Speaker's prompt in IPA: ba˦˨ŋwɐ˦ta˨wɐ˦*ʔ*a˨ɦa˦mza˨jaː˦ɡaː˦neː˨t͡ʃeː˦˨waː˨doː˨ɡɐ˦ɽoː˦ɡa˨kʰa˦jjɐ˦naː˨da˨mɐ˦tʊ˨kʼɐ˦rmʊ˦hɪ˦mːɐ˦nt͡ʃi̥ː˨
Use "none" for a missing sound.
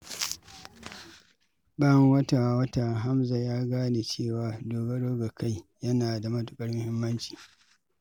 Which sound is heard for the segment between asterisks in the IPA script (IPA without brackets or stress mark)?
t